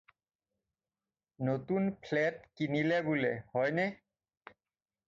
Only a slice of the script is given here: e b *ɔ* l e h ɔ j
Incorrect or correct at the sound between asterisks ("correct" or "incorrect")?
incorrect